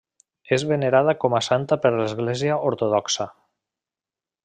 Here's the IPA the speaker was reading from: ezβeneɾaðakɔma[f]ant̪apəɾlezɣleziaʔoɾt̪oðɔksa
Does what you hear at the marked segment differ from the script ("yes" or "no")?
yes